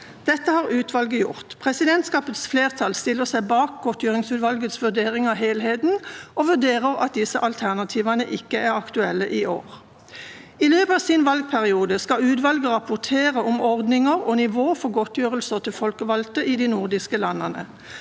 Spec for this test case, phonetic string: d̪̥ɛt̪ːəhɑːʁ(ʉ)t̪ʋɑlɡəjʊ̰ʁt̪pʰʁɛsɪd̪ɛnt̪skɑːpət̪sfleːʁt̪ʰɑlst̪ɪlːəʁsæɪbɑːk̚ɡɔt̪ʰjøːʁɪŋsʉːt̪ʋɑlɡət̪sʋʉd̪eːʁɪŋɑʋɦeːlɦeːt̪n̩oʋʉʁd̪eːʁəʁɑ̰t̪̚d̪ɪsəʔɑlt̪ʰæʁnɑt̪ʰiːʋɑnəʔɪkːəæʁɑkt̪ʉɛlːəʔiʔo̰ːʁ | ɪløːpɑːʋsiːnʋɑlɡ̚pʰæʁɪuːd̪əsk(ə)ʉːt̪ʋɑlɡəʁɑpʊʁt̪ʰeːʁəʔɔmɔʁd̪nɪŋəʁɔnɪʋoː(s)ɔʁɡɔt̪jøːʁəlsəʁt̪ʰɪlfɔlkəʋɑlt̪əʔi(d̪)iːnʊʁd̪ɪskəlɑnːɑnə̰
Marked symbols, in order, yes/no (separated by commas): no, no, no, yes